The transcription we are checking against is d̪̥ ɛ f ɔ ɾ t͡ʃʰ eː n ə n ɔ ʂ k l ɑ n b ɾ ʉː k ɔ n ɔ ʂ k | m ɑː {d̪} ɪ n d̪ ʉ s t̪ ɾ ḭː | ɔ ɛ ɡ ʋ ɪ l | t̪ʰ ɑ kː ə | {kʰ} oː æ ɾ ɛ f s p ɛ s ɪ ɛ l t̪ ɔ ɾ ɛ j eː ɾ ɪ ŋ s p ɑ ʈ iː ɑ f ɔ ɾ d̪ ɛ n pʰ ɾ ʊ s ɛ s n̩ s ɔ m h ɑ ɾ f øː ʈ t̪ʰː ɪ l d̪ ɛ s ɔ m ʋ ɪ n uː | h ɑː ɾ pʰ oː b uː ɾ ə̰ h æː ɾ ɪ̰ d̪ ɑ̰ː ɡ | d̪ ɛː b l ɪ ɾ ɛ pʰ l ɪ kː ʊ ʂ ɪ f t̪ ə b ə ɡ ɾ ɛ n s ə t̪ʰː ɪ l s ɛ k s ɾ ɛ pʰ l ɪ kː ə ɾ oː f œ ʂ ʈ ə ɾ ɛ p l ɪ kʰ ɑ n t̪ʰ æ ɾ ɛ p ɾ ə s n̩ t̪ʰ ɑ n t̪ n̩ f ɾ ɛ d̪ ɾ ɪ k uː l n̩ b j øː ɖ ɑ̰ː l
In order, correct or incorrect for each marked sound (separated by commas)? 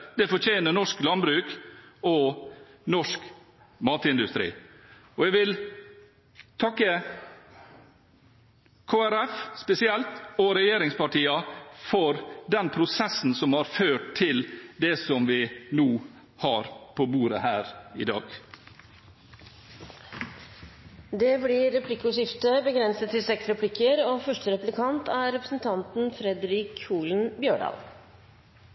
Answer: incorrect, correct